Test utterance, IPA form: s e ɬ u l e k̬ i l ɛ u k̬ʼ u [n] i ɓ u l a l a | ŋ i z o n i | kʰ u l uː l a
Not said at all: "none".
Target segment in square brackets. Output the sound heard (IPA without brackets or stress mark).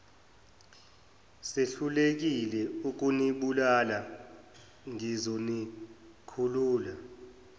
n